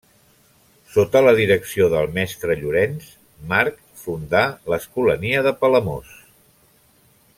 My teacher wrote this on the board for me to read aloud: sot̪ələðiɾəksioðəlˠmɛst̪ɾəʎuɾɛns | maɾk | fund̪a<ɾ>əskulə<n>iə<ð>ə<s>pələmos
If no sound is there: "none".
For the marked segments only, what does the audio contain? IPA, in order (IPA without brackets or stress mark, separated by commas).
l, n, ð, none